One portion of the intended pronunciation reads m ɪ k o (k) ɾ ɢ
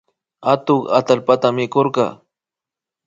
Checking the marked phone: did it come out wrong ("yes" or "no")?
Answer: yes